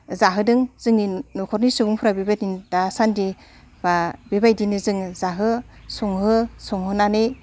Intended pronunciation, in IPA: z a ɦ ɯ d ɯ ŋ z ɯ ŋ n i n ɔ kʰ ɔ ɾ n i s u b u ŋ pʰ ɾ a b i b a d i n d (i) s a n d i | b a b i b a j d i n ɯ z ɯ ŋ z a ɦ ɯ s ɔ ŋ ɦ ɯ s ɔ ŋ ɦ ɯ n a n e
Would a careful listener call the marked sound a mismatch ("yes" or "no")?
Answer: yes